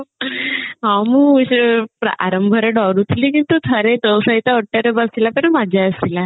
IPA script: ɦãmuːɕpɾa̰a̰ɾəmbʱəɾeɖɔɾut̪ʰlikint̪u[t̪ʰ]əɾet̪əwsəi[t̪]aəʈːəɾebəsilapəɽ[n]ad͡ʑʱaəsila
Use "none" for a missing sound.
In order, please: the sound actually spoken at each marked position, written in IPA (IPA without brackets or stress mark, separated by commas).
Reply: t̪ʰ, t̪, m